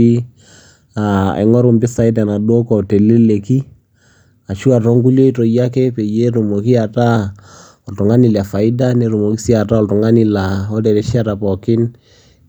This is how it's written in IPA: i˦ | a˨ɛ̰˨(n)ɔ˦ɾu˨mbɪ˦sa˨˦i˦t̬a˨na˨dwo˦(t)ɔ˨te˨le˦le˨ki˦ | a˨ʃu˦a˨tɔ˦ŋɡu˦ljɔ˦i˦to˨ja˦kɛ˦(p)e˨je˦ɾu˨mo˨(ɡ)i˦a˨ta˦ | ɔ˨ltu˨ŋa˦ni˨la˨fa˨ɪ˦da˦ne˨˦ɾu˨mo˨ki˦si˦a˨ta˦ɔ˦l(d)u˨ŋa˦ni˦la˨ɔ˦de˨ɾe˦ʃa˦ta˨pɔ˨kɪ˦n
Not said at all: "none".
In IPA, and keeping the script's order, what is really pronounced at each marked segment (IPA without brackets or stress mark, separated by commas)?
ŋ, k, p, k, t